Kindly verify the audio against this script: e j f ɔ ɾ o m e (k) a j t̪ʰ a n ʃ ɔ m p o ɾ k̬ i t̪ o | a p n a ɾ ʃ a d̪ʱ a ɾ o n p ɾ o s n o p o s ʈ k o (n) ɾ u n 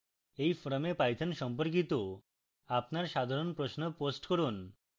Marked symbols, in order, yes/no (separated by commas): no, no